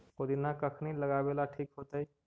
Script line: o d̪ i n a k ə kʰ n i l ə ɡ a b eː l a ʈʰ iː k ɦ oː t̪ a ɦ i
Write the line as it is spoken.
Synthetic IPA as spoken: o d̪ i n a k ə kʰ n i l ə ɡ a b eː l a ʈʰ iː k ɦ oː t̪ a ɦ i